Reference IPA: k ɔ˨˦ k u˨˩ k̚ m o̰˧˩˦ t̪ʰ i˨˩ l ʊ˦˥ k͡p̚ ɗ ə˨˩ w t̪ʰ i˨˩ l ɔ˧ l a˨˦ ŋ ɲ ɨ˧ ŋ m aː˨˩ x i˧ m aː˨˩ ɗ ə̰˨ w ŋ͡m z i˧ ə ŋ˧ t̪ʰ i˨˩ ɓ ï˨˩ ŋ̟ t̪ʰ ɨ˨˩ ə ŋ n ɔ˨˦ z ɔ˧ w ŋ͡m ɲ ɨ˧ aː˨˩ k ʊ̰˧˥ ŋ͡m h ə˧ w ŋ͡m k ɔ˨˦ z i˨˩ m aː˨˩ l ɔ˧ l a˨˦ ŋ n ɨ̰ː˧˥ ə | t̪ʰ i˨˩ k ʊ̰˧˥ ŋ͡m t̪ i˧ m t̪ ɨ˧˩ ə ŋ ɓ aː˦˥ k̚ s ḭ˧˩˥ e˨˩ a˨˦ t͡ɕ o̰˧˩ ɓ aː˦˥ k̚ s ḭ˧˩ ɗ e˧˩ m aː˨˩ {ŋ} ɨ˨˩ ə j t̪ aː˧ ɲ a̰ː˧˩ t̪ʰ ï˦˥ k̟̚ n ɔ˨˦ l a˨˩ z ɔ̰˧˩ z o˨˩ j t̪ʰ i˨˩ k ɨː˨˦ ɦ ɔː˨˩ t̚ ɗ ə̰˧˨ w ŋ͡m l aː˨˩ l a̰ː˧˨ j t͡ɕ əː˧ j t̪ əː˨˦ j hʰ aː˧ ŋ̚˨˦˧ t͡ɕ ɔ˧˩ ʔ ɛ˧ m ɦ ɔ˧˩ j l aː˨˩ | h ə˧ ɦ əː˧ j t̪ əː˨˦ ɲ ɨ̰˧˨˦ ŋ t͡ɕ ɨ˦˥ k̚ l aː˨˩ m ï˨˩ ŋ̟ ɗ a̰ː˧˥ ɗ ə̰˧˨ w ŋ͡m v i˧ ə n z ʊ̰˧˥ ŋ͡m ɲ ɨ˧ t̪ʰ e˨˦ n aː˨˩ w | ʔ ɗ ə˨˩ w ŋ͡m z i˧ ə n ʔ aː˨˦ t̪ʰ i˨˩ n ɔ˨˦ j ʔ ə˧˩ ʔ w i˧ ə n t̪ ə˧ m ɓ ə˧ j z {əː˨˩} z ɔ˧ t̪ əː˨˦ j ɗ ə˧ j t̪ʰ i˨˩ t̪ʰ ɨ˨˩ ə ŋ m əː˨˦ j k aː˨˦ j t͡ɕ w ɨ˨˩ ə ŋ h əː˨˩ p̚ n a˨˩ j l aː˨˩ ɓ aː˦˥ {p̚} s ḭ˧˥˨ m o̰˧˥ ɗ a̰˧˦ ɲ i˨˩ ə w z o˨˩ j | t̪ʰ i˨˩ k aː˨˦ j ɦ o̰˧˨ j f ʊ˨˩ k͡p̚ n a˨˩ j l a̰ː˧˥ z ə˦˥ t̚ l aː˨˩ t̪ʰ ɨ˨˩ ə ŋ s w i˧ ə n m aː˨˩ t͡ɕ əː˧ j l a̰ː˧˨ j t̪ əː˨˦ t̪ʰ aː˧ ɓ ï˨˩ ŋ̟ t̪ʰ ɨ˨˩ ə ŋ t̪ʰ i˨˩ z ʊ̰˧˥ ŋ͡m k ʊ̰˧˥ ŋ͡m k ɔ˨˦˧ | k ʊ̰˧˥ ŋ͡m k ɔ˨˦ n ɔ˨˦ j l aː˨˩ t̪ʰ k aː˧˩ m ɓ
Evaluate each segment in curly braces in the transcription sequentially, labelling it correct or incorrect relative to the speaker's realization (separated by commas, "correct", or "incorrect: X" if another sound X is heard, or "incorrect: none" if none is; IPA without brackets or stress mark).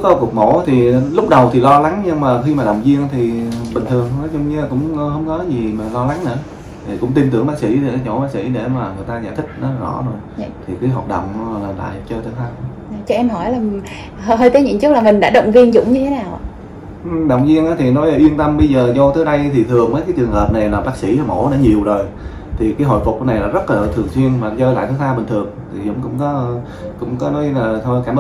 correct, correct, incorrect: k̚